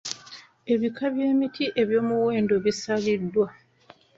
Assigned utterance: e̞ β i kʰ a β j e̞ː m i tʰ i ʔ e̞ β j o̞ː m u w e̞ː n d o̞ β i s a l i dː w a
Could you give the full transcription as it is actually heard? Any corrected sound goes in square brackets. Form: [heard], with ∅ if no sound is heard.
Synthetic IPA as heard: e̞ β i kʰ a β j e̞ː m i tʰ i ʔ e̞ β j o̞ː m u w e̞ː n d o̞ β i s a l i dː w a

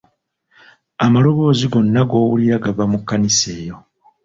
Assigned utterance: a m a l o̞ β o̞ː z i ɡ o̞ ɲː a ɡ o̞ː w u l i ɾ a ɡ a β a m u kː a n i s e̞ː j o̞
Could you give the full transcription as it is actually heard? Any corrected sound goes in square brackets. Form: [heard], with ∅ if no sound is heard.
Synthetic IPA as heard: a m a l o̞ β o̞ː z i ɡ o̞ [nː] a ɡ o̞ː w u l i ɾ a ɡ a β a m u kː a n i s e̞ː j o̞

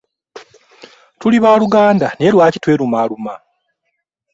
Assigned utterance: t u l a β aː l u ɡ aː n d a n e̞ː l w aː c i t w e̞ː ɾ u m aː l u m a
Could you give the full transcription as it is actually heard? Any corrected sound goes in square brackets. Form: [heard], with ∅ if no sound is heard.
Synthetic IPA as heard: t u l [i] β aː l u ɡ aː n d a n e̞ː l w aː c i t w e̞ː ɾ u m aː l u m a

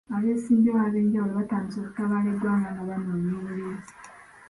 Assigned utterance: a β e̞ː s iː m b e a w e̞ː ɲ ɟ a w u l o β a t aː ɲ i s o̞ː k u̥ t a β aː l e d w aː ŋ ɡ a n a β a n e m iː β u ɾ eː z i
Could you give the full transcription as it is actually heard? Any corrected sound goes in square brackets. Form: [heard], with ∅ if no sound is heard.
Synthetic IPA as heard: a β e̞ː s iː m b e a [β] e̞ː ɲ ɟ a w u l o β a t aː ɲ i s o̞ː k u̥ t a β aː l e d w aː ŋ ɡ a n a β a n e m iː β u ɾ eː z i

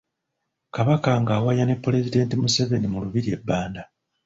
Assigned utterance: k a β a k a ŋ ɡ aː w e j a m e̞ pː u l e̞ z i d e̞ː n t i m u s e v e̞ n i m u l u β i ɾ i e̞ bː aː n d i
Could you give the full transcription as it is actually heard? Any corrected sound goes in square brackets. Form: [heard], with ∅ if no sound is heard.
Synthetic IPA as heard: k a β a k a ŋ ɡ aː w [a] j a [n] e̞ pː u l e̞ z i d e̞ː n t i m u s e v e̞ n i m u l u β i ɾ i e̞ bː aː n d [a]

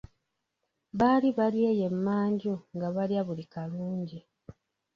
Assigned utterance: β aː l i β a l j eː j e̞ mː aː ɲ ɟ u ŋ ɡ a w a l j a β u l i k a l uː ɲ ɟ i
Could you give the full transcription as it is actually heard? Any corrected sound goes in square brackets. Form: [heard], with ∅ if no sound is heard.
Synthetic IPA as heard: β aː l i β a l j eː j e̞ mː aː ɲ ɟ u ŋ ɡ a [β] a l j a β u l i k a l uː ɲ ɟ i

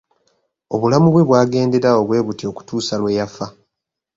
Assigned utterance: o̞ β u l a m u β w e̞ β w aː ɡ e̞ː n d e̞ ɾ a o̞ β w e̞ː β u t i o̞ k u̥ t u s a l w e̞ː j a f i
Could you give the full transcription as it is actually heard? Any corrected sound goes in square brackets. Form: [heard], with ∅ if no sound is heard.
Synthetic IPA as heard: o̞ β u l a m u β w e̞ β w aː ɡ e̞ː n d e̞ ɾ a o̞ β w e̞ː β u t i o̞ k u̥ t [uː] s a l w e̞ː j a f [a]

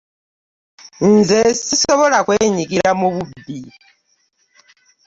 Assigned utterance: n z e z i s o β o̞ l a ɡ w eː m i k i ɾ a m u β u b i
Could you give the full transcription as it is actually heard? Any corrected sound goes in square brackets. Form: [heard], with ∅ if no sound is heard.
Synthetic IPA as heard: n z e [s] i s o β o̞ l a [k] w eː [ɲ] i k i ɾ a m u β u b i

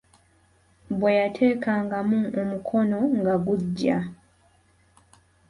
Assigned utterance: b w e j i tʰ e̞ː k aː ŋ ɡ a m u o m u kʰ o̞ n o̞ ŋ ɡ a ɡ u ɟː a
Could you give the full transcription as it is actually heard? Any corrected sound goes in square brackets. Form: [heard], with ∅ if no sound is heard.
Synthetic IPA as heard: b w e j [a] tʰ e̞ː k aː ŋ ɡ a m u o m u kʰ o̞ n o̞ ŋ ɡ a ɡ u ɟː a

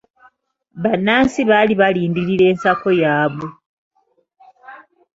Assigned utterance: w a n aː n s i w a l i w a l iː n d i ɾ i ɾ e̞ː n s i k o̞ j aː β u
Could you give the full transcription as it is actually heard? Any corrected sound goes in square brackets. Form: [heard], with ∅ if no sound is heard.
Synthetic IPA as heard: [β] a n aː n s i [β] a l i [β] a l iː n d i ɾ i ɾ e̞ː n s [a] k o̞ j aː β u

